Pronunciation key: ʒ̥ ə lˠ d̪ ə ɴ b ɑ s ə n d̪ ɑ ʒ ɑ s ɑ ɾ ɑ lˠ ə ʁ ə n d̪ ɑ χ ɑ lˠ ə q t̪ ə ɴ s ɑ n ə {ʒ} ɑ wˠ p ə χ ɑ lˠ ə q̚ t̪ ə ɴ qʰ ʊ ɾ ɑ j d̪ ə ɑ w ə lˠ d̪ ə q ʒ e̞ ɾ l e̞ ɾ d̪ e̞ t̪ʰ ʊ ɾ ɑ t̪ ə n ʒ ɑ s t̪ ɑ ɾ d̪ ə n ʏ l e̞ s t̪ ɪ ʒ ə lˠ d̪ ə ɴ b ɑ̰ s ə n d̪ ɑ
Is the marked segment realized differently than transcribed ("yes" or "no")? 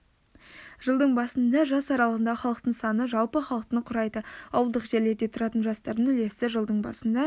no